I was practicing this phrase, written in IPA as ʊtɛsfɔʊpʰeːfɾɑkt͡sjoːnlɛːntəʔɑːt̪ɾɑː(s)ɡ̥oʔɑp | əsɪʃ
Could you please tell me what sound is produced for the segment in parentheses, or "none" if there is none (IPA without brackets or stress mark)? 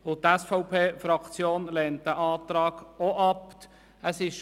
none